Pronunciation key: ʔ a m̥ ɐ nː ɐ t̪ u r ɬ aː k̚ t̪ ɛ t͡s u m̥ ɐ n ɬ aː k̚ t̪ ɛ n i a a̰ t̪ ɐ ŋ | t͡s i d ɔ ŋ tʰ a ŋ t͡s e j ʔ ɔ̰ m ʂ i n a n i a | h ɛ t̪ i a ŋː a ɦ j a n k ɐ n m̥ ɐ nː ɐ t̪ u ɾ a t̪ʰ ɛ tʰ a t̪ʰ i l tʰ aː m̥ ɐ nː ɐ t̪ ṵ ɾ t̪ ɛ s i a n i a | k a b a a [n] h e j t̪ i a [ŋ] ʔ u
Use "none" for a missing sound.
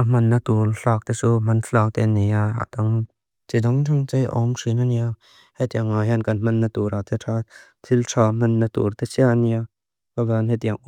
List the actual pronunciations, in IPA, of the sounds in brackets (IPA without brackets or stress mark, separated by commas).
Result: n, ŋ